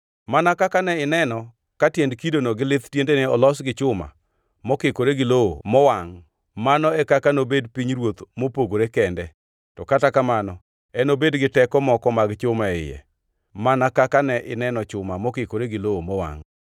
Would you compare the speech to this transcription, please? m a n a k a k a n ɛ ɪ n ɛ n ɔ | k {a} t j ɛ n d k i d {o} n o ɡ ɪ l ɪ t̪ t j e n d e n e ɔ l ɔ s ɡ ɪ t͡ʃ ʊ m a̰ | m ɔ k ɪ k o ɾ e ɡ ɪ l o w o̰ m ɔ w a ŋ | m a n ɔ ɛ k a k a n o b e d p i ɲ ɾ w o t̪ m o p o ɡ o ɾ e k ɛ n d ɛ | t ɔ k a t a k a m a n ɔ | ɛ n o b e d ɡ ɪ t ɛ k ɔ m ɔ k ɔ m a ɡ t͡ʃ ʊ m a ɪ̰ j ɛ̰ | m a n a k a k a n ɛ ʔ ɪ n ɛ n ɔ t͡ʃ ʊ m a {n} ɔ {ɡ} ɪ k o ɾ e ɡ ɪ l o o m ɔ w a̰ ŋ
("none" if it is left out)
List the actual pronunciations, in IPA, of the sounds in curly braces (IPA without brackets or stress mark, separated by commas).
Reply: a, o, m, k